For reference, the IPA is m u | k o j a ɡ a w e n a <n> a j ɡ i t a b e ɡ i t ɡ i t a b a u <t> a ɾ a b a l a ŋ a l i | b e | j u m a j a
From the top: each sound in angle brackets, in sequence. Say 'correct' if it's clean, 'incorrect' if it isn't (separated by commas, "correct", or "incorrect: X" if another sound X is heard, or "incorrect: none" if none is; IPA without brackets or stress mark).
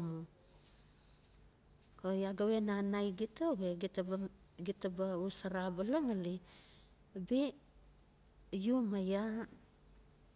correct, incorrect: s